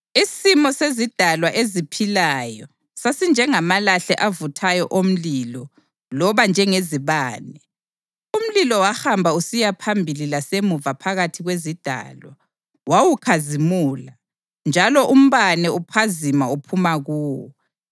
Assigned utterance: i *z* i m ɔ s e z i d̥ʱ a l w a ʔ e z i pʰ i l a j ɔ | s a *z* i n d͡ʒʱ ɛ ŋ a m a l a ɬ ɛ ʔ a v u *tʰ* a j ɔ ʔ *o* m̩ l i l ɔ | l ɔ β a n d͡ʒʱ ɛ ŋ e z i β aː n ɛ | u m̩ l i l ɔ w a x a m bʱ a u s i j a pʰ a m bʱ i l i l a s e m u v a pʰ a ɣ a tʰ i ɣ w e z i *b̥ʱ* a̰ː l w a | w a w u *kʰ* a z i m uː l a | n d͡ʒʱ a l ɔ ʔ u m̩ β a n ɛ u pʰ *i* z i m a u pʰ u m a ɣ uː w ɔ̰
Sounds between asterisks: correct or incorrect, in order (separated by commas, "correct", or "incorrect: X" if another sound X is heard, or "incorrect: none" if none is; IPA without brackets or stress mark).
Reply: incorrect: s, incorrect: s, correct, correct, incorrect: d̥ʱ, correct, incorrect: a